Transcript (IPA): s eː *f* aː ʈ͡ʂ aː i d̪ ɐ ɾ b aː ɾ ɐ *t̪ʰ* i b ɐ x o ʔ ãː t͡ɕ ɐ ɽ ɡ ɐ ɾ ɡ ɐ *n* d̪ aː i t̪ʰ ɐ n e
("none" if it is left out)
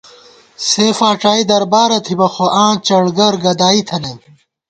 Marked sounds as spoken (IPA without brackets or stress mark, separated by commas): f, t̪ʰ, none